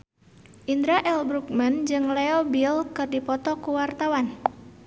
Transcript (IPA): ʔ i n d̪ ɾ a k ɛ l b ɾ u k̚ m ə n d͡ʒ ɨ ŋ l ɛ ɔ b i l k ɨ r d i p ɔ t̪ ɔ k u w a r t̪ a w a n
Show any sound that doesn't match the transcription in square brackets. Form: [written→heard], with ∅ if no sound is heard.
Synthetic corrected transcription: ʔ i n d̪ ɾ a [k→ʔ] ɛ l b ɾ u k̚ m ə n d͡ʒ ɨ ŋ l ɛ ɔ b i l k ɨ r d i p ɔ t̪ ɔ k u w a r t̪ a w a n